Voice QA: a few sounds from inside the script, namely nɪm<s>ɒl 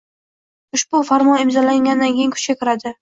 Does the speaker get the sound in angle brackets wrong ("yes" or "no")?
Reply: yes